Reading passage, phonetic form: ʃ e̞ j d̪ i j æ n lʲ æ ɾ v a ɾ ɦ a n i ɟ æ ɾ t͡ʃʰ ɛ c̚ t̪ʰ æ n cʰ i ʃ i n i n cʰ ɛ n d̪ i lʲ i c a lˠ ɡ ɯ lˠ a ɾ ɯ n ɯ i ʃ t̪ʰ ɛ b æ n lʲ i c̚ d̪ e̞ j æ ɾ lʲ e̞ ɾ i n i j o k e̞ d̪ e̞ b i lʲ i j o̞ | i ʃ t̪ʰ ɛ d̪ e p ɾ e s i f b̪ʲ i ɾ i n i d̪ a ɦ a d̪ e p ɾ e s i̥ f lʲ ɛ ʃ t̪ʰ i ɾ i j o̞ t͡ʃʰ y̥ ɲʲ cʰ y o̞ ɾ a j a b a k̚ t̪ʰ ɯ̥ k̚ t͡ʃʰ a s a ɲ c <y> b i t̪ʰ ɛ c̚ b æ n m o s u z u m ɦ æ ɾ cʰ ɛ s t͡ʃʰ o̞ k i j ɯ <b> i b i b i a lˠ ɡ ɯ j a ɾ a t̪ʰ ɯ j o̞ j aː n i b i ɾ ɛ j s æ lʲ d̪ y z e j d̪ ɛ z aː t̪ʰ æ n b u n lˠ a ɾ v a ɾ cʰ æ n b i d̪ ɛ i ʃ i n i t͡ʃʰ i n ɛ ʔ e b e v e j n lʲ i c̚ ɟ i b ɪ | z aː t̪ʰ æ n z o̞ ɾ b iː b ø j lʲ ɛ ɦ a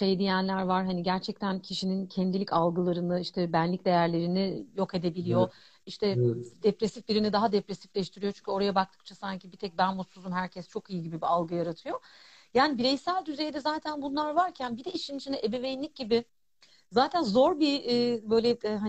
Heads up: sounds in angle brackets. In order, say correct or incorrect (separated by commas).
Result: incorrect, incorrect